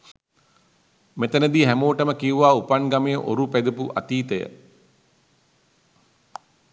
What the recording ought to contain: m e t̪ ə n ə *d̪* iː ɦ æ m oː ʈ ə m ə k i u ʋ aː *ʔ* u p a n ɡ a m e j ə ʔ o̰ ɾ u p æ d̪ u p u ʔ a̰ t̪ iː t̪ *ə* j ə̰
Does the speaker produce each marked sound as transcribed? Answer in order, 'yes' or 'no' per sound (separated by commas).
yes, no, yes